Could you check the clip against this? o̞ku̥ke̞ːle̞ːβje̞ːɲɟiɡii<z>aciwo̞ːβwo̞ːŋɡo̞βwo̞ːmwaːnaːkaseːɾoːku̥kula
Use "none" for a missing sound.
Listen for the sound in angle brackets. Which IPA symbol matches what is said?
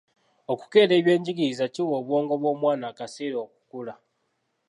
z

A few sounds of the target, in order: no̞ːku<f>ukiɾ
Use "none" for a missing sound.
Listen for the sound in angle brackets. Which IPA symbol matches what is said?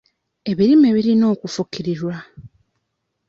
f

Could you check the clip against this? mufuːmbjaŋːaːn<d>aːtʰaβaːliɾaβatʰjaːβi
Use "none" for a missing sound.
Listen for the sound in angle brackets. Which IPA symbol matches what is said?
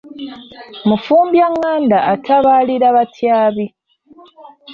d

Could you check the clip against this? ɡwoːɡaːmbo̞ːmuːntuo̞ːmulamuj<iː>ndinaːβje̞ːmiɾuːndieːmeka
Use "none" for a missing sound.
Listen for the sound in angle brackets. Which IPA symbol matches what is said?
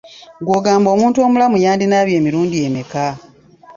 aː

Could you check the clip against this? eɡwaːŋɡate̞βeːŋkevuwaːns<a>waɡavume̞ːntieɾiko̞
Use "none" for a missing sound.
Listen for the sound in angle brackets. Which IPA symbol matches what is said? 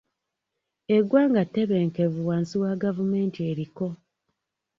i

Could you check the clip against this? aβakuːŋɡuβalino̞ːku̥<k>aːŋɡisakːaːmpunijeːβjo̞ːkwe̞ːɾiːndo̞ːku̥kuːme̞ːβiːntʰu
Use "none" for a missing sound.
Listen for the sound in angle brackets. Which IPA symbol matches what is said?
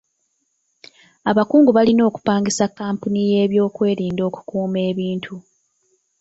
p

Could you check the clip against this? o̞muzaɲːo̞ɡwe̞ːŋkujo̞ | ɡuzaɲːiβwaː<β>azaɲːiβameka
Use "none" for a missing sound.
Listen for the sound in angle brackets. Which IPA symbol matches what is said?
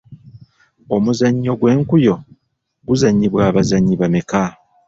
β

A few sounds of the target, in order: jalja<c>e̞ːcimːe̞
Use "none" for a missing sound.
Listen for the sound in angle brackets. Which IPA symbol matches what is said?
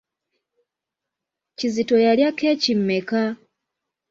k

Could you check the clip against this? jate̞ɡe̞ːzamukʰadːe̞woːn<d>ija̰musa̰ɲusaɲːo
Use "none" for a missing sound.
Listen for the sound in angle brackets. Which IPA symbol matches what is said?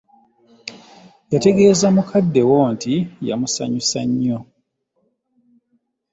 t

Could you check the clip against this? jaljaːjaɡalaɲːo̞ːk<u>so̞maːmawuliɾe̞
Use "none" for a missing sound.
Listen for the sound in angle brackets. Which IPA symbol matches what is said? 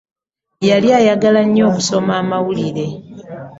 u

